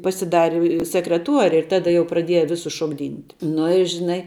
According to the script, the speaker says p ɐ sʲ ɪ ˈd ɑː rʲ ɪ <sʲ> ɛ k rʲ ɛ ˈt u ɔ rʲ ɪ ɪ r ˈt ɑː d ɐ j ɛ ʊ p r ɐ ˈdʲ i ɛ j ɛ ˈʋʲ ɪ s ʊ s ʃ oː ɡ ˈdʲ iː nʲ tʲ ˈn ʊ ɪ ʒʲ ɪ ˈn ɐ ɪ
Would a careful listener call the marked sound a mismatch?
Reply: no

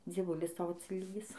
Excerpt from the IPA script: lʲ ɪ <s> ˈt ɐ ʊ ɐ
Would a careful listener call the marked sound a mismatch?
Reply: no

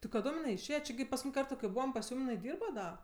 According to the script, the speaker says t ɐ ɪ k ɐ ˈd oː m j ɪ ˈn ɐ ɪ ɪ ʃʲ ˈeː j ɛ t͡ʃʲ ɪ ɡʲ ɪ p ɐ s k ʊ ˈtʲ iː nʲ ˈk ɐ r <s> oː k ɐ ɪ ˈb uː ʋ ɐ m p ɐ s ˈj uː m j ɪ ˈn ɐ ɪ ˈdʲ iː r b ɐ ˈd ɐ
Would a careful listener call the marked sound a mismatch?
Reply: yes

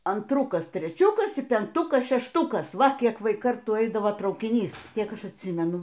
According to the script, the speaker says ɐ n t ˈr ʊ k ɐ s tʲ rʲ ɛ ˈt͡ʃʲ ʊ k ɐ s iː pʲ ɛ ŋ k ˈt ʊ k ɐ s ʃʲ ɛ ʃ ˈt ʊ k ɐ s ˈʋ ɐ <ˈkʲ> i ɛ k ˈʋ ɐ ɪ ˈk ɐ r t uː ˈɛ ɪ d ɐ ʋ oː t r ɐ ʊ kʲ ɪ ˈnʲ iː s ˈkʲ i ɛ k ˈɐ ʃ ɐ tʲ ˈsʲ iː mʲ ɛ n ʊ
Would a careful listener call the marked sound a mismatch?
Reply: no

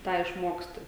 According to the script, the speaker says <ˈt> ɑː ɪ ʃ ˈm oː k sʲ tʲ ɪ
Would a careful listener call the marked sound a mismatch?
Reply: no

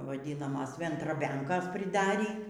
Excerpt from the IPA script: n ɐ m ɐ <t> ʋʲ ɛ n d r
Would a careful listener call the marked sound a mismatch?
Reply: yes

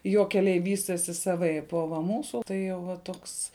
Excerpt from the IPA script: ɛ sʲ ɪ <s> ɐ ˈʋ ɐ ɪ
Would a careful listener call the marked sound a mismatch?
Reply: no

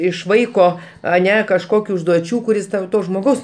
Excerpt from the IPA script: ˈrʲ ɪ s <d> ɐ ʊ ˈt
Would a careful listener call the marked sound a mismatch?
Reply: yes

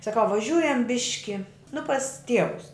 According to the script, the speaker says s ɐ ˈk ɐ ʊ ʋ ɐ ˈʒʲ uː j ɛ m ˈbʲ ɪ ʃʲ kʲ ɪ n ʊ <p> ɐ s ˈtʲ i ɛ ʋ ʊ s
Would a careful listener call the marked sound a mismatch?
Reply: no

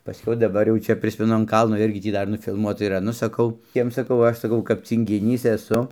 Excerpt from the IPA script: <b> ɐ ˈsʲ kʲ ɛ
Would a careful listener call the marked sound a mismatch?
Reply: yes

